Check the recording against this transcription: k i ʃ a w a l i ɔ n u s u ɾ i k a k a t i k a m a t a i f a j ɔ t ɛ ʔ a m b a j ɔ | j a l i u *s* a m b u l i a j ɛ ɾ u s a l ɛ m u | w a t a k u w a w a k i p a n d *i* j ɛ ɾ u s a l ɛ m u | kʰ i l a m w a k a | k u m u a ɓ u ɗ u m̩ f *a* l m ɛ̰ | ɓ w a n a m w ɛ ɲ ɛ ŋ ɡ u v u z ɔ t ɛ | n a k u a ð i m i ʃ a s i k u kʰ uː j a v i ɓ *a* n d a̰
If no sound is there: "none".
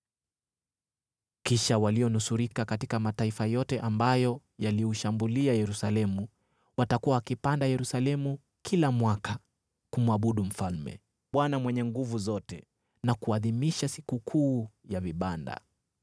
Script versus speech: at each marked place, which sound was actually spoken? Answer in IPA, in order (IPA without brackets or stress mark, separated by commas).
ʃ, a, a, a